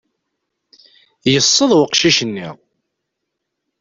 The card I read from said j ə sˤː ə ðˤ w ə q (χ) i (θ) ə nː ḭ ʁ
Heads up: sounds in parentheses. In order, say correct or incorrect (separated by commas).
incorrect, incorrect